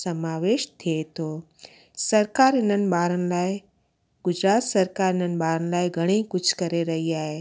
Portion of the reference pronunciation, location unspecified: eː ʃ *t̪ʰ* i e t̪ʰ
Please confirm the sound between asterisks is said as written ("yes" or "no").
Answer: yes